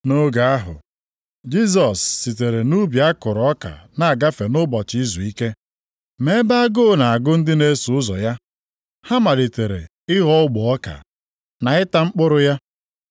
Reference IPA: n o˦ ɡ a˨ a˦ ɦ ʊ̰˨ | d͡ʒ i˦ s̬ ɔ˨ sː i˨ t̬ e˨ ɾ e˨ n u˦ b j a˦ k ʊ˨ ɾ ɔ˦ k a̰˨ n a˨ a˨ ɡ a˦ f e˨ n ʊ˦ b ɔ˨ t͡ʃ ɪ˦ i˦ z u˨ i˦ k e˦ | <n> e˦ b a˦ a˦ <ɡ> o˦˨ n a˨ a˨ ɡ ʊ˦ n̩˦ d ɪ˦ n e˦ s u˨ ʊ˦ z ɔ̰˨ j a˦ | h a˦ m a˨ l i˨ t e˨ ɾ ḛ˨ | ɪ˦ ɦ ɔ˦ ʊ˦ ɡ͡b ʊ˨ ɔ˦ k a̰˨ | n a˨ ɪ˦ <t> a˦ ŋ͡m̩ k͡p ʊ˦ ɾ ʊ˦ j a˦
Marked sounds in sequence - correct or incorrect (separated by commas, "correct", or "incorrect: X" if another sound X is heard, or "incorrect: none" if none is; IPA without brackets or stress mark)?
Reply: incorrect: m, correct, correct